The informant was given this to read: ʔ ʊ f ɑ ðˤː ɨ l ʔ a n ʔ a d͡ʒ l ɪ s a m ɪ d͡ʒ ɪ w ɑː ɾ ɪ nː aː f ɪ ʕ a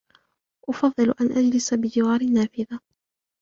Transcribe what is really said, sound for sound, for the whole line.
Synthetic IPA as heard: ʔ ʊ f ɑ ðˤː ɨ l ʔ a n ʔ a d͡ʒ l ɪ s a b ɪ d͡ʒ ɪ w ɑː ɾ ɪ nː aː f ɪ ð a